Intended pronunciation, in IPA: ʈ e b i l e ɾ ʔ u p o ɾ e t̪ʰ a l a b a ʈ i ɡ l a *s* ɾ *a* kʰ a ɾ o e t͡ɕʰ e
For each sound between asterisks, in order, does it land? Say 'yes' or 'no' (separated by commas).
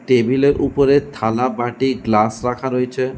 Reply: yes, yes